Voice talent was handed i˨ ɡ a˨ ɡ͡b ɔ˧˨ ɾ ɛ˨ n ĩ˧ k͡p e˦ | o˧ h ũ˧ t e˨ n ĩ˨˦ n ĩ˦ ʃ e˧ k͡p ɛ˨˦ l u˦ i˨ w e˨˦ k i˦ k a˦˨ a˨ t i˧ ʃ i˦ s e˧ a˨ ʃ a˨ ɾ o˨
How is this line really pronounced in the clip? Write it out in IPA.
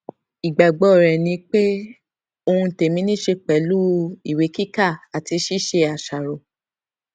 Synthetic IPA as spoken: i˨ ɡ͡b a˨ ɡ͡b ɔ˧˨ ɾ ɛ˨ n ĩ˧ k͡p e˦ | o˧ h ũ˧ t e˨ m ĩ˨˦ n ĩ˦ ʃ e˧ k͡p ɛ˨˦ l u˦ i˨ w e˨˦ k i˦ k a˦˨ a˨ t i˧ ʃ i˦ ʃ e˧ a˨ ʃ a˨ ɾ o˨